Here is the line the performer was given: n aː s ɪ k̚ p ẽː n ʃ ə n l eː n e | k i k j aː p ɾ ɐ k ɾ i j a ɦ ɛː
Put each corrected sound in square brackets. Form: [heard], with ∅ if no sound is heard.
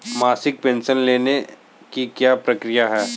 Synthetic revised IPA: [m] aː s ɪ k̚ p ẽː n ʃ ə n l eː n e | k i k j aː p ɾ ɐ k ɾ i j a ɦ ɛː